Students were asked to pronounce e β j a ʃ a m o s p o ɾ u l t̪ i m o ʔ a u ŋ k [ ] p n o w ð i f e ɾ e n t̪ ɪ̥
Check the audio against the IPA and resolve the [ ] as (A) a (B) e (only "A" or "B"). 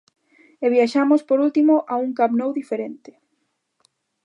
A